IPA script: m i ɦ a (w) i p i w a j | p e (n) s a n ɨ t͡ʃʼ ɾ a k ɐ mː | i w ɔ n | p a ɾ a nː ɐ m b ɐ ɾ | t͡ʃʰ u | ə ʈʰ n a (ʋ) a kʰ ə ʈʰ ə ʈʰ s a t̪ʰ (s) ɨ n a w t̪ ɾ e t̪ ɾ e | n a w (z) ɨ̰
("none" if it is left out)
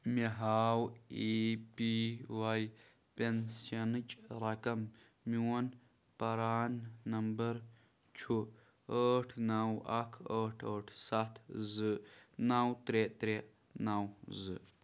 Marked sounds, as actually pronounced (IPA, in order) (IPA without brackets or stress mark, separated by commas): w, n, w, z, z